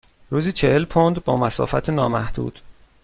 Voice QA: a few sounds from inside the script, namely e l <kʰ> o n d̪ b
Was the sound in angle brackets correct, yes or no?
no